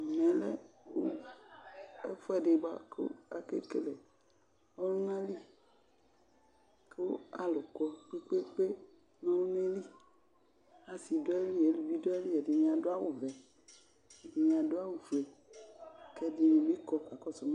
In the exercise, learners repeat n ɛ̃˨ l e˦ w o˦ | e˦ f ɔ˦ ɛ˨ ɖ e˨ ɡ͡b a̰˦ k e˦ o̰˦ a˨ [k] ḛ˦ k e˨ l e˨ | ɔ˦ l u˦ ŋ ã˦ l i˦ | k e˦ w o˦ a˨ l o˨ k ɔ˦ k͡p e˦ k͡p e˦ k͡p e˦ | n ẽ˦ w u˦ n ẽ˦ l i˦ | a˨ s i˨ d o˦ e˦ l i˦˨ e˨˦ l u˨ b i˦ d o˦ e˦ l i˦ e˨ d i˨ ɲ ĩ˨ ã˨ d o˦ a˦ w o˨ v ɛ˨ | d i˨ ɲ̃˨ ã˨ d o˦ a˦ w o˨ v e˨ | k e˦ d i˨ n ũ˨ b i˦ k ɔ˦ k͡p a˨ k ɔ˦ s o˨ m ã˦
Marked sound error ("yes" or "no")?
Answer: no